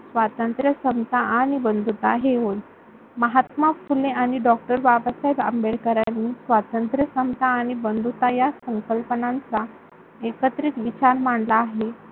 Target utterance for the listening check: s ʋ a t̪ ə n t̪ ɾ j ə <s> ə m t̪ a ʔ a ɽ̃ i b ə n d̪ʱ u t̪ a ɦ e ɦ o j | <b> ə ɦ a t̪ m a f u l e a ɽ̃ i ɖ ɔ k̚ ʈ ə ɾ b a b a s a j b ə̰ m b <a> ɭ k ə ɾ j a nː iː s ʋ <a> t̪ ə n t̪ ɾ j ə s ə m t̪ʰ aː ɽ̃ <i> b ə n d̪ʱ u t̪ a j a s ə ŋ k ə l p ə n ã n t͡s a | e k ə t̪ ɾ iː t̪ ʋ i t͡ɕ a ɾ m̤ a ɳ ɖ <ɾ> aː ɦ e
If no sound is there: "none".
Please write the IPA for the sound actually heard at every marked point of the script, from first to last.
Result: s, m, e, a, i, l

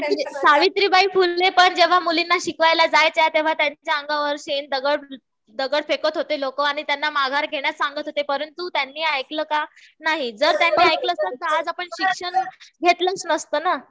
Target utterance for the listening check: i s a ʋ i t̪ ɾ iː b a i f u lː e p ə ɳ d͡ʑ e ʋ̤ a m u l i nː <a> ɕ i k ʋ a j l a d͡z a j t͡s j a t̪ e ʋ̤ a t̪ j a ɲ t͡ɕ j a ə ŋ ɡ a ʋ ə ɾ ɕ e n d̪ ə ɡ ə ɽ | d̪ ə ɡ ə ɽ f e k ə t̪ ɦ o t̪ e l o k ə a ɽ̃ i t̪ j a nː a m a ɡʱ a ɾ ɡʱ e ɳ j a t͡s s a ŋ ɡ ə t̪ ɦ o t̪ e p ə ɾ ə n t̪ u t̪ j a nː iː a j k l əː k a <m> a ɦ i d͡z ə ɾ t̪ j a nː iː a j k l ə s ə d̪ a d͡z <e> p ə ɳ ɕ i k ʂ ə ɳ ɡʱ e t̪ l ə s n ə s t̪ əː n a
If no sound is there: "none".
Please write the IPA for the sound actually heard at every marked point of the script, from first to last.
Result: a, n, a

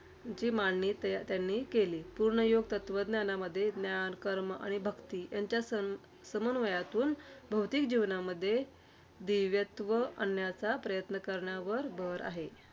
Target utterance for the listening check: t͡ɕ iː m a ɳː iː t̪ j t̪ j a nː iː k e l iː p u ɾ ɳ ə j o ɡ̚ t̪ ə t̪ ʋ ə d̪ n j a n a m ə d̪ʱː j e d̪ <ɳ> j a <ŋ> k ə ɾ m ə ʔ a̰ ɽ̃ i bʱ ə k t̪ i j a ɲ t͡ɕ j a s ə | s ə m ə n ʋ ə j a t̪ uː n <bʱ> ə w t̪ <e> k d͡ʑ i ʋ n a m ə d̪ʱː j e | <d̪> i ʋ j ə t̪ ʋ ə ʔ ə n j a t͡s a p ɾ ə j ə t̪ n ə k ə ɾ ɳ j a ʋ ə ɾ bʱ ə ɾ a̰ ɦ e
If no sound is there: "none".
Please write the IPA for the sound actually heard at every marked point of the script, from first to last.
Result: n, n, bʱ, i, d̪

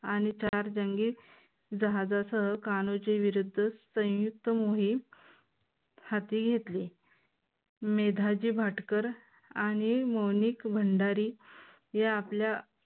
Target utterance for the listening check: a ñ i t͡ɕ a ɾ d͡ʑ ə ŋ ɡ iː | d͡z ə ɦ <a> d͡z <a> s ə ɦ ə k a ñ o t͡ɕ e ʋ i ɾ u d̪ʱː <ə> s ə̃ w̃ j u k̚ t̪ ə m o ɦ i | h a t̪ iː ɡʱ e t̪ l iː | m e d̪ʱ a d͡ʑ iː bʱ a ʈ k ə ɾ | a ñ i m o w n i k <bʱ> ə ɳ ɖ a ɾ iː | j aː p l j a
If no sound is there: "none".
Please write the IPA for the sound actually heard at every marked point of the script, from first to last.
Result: a, a, ə, bʱ

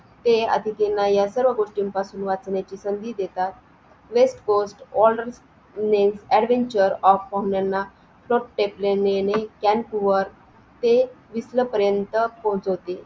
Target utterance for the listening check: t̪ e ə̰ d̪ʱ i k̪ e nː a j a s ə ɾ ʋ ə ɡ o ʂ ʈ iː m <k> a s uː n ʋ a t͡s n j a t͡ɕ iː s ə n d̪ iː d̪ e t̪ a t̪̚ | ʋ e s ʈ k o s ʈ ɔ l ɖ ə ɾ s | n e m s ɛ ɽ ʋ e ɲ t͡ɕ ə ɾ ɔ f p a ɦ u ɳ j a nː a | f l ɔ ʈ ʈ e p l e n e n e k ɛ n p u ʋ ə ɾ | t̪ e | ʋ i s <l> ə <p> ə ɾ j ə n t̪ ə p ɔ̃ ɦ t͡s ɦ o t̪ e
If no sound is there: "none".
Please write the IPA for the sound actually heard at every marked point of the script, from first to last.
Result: p, l, p

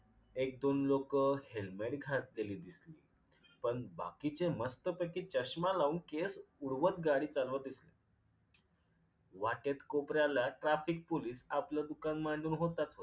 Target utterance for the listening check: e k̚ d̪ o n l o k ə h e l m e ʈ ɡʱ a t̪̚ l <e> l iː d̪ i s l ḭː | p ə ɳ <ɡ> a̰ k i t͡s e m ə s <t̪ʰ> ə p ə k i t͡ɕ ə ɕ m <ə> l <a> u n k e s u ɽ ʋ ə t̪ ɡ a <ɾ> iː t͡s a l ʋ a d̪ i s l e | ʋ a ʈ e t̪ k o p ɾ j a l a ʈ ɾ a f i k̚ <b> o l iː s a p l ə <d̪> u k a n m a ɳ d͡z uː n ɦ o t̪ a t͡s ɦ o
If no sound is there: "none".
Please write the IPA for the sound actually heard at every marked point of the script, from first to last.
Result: e, b, t̪, a, a, ɽ, p, d̪

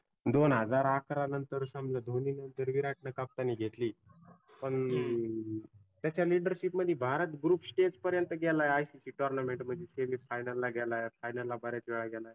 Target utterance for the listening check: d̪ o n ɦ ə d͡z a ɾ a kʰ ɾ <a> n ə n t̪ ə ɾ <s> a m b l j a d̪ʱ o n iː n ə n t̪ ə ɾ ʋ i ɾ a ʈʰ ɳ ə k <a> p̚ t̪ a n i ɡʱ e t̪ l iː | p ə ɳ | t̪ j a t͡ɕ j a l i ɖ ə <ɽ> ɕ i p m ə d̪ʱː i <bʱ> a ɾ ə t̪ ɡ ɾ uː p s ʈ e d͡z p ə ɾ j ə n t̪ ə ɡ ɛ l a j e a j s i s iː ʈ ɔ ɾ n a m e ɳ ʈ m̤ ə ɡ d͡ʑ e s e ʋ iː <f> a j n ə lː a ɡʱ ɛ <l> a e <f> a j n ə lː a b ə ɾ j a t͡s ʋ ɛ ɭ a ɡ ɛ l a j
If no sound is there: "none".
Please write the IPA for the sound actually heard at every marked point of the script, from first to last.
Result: a, s, a, ɾ, bʱ, f, l, f

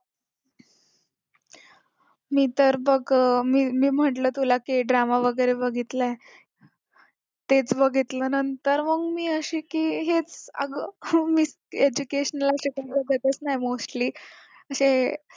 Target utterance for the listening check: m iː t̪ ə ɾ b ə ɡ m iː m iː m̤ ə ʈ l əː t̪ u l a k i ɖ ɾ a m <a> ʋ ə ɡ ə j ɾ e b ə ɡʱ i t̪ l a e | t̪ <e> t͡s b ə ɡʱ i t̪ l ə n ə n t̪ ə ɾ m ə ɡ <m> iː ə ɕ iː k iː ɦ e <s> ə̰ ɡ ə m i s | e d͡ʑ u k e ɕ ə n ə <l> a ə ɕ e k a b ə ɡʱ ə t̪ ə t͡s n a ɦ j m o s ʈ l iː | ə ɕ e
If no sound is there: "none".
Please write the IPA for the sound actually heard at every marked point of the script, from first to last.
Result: a, e, m, t͡s, l

